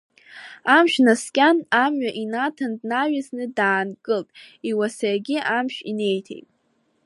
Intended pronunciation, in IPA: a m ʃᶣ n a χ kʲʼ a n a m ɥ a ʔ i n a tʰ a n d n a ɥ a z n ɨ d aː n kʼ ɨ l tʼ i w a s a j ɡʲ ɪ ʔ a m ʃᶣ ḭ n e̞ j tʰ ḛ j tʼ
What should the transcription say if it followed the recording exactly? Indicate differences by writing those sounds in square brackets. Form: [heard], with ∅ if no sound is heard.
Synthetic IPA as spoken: a m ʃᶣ n a [s] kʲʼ a n a m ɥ a ʔ i n a tʰ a n d n a ɥ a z n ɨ d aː n kʼ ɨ l tʼ i w a s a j ɡʲ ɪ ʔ a m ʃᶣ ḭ n e̞ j tʰ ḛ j tʼ